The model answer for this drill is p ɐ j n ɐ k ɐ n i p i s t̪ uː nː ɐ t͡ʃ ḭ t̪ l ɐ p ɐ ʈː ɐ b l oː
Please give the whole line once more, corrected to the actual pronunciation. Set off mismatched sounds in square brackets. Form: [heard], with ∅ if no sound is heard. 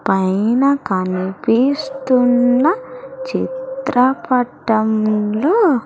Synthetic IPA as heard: p ɐ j n ɐ k ɐ n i p i s t̪ [u] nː ɐ t͡ʃ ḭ t̪ [ɾ] ɐ p ɐ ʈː ɐ [m] l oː